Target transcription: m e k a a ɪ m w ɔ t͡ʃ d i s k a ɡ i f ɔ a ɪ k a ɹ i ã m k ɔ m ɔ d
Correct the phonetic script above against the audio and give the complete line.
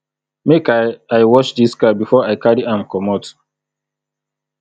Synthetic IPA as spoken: m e k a a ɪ w ɔ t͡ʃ d i s k a b i f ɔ a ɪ k a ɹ i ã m k ɔ m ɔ t